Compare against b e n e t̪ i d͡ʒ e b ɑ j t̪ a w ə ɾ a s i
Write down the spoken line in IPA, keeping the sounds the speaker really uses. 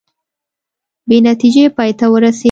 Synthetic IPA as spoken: b e n a t̪ i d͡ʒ e p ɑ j t̪ a w ə ɾ a s e